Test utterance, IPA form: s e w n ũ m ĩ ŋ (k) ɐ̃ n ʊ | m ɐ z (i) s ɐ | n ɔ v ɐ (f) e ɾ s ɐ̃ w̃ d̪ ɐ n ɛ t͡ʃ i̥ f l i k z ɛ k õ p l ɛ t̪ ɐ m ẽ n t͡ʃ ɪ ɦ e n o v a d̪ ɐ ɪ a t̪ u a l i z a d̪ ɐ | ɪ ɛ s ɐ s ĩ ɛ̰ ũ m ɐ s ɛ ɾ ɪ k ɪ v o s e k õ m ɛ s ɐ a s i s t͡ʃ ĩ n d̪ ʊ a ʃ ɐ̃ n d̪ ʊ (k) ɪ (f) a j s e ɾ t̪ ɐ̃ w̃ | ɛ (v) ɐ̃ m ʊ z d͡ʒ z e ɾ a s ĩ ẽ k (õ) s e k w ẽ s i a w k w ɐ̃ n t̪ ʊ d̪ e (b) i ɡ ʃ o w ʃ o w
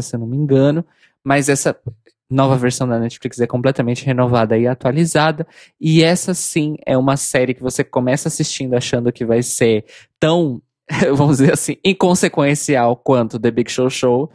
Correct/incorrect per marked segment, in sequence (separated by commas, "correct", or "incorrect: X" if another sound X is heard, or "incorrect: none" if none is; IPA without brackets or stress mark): incorrect: ɡ, incorrect: ɛ, incorrect: v, correct, incorrect: v, correct, correct, correct